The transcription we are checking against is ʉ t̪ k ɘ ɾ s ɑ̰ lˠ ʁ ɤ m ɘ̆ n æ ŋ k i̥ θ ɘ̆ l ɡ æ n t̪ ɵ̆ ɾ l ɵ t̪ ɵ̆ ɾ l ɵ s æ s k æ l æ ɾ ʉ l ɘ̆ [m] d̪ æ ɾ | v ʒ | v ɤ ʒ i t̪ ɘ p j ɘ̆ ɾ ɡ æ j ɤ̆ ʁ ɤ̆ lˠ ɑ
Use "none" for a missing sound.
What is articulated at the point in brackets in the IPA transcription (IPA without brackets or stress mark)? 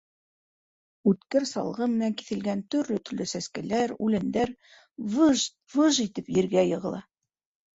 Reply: n